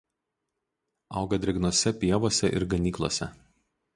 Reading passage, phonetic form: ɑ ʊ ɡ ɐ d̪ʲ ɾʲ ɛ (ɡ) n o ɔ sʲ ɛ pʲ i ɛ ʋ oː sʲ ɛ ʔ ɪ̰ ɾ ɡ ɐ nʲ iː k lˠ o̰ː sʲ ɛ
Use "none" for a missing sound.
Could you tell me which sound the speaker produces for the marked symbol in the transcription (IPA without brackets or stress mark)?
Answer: ɡ